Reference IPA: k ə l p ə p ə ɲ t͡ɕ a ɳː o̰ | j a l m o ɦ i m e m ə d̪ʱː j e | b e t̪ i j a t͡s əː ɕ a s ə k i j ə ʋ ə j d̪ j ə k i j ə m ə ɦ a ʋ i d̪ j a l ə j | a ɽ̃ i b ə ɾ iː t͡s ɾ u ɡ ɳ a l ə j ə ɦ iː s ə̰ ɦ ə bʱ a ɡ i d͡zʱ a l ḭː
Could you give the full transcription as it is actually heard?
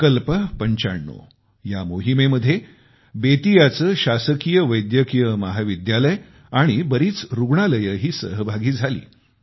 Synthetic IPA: k ə l p ə p ə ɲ t͡ɕ a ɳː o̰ | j a m o ɦ i m e m ə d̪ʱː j e | b e t̪ i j a t͡s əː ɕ a s ə k i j ə ʋ ə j d̪ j ə k i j ə m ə ɦ a ʋ i d̪ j a l ə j | a ɽ̃ i b ə ɾ iː t͡s ɾ u ɡ ɳ a l ə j ə ɦ iː s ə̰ ɦ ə bʱ a ɡ iː d͡zʱ a l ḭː

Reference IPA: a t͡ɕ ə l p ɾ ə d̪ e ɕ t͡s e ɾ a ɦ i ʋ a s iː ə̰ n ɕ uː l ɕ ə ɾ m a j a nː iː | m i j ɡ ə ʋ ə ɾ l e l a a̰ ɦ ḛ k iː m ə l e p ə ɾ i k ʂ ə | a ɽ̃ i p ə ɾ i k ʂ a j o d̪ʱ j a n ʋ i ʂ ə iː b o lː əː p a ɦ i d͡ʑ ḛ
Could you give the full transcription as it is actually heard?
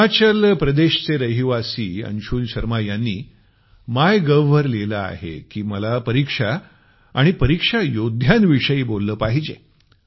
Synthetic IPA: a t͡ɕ ə l p ɾ ə d̪ e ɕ t͡s e ɾ ə ɦ i ʋ a s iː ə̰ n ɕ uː l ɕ ə ɾ m a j a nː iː | m a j ɡ ə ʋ ə ɾ l e l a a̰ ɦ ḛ k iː m ə l a p ə ɾ i k ʂ a | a ɽ̃ i p ə ɾ i k ʂ a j o d̪ʱ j a n ʋ i ʂ ə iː b o lː əː p a ɦ i d͡ʑ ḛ

